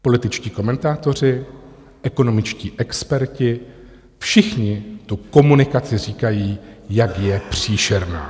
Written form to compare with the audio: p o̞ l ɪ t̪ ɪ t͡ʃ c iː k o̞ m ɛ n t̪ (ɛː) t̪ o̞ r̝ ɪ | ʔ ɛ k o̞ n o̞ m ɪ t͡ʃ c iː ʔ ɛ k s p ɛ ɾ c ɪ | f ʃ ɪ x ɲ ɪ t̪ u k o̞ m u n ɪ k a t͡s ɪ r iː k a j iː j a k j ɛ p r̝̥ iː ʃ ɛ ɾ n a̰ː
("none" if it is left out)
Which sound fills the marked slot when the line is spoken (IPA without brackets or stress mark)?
aː